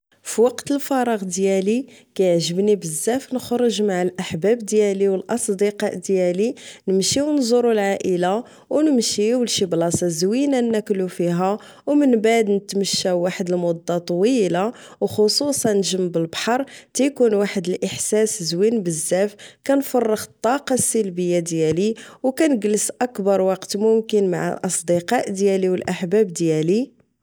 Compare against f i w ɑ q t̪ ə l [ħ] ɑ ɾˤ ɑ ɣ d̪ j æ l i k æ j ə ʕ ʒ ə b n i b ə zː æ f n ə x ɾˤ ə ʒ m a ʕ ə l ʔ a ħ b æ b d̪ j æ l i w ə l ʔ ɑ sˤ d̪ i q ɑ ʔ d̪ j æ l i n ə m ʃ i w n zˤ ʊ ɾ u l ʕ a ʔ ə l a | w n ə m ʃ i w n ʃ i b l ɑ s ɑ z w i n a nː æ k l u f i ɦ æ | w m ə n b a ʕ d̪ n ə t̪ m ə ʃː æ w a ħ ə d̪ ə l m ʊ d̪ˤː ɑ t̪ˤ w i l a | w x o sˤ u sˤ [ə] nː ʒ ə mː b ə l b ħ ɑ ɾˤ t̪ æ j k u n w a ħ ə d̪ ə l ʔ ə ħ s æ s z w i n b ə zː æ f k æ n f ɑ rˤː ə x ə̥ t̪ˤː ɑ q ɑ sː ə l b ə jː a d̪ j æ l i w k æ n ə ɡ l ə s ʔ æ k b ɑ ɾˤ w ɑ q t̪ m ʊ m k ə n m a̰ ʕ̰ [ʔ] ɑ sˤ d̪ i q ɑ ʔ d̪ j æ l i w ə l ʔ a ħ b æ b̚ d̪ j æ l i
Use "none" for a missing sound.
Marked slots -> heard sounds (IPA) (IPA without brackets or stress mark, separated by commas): f, ɑ, ʔ